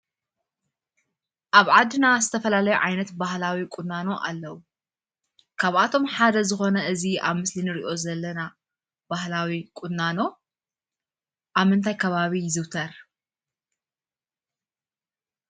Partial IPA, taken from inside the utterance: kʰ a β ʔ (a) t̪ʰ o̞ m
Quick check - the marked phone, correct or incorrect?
correct